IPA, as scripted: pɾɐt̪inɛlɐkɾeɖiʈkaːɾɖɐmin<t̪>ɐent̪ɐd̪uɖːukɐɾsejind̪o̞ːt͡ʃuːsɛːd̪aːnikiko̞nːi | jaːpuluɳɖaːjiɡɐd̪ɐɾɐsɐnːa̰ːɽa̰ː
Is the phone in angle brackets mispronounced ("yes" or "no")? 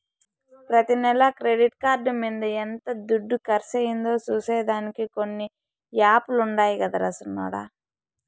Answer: yes